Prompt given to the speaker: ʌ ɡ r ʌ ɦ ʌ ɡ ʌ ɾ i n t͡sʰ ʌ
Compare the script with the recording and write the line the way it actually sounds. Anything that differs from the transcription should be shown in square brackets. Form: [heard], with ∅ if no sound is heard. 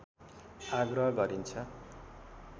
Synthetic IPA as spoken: [a] ɡ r ʌ ɦ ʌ ɡ ʌ ɾ i n t͡sʰ ʌ